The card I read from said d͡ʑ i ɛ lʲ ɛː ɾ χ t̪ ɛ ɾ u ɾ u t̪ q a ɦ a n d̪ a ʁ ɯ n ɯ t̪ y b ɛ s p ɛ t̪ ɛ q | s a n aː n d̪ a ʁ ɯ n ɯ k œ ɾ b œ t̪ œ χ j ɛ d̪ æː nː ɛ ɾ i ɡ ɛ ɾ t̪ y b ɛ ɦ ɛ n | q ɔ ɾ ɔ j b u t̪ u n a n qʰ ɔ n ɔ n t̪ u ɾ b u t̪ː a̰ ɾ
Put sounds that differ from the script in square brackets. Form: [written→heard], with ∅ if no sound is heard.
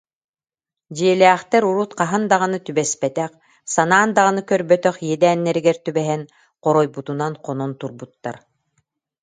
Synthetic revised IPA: d͡ʑ i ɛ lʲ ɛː [ɾ→∅] χ t̪ ɛ ɾ u ɾ u t̪ q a ɦ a n d̪ a ʁ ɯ n ɯ t̪ y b ɛ s p ɛ t̪ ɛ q | s a n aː n d̪ a ʁ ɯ n ɯ k œ ɾ b œ t̪ œ χ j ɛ d̪ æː nː ɛ ɾ i ɡ ɛ ɾ t̪ y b ɛ ɦ ɛ n | q ɔ ɾ ɔ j b u t̪ u n a n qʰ ɔ n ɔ n t̪ u ɾ b u t̪ː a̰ ɾ